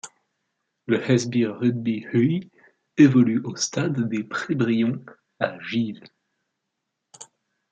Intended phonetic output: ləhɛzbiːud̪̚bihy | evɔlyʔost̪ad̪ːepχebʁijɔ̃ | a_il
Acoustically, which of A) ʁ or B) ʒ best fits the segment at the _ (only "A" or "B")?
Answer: B